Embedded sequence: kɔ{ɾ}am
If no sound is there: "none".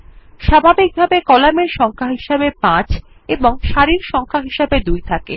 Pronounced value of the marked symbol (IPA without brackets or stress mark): l